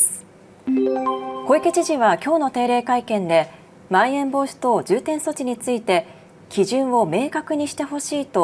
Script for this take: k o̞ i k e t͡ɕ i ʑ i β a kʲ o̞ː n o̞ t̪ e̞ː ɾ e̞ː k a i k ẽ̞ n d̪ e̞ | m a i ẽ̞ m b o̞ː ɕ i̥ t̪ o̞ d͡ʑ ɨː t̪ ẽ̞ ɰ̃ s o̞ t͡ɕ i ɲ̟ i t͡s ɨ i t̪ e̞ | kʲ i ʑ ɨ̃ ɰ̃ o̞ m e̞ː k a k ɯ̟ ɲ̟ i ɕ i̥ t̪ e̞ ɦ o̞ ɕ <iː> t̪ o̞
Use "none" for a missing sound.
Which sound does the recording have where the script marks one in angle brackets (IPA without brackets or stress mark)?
iː